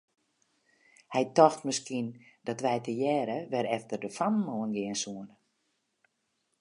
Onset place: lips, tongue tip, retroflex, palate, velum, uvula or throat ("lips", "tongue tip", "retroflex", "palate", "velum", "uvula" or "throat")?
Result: throat